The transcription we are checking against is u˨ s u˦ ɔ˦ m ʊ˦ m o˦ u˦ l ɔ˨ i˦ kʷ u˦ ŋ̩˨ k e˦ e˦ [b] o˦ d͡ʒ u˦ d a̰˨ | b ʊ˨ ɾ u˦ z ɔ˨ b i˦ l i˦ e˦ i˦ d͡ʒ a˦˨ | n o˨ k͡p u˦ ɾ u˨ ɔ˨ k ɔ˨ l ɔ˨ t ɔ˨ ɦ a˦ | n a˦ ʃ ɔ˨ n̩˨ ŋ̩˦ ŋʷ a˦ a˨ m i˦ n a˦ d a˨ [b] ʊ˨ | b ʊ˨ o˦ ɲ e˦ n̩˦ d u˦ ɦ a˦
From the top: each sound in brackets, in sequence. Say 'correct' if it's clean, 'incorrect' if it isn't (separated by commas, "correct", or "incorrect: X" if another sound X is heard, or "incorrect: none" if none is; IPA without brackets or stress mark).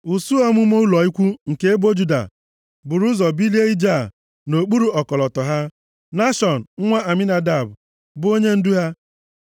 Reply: correct, correct